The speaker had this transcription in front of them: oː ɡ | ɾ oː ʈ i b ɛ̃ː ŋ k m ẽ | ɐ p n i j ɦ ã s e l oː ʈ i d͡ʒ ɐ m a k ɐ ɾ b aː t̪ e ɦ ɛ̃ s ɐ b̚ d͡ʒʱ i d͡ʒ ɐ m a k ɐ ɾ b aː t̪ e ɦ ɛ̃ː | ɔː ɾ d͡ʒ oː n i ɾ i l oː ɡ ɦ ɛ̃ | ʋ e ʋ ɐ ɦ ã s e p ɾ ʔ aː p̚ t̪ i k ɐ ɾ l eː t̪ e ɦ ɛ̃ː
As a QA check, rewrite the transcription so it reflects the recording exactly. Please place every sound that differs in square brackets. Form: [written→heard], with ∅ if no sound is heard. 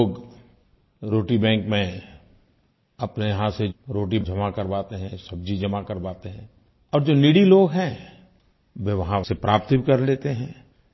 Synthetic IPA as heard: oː ɡ | ɾ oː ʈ i b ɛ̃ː ŋ k m ẽ | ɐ p n [i→e] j ɦ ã s e [l→ɾ] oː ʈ i d͡ʒ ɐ m a k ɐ ɾ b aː t̪ e ɦ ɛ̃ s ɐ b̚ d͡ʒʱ i d͡ʒ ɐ m a k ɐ ɾ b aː t̪ e ɦ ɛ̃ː | ɔː ɾ d͡ʒ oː n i [ɾ→ɽ] i l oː ɡ ɦ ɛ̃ | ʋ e ʋ ɐ ɦ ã s e p ɾ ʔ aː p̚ t̪ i k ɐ ɾ l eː t̪ e ɦ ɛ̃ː